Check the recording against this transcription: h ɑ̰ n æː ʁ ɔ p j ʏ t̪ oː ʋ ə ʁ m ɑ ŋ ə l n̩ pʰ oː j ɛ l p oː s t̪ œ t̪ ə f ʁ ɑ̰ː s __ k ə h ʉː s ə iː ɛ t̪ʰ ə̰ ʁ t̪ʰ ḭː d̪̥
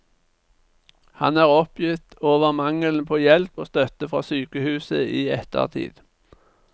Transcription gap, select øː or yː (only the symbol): yː